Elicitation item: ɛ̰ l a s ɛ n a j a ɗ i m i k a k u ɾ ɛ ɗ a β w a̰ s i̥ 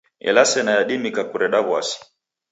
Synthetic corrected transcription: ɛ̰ l a s ɛ n a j a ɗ i m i k a k u ɾ ɛ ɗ a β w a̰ s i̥